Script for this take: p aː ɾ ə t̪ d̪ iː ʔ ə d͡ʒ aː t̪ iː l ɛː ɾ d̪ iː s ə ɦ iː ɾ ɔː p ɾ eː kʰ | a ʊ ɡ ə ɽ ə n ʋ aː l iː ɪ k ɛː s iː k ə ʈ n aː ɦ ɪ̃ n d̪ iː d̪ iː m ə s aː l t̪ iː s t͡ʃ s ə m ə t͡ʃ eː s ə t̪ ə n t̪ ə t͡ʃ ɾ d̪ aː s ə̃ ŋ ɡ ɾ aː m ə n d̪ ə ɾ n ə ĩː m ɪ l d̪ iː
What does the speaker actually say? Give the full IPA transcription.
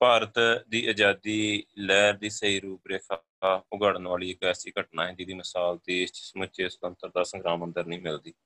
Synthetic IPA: p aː ɾ ə t̪ d̪ iː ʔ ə d͡ʒ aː d̪ iː l ɛː ɾ d̪ iː s ə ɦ iː ɾ uː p ɾ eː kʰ | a ʊ ɡ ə ɽ ə n ʋ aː l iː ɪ k ɛː s iː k ə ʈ n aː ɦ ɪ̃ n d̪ iː d̪ iː m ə s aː l t̪ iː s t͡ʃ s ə m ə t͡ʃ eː s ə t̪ ə n t̪ ə ɾ d̪ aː s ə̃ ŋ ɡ ɾ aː m ə n d̪ ə ɾ n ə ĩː m ɪ l d̪ iː